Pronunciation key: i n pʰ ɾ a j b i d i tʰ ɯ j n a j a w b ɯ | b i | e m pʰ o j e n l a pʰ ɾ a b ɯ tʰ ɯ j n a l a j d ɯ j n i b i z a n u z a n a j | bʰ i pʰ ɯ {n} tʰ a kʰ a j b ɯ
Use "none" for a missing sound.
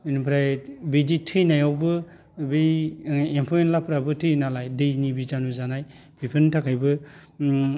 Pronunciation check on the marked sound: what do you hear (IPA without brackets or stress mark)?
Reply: n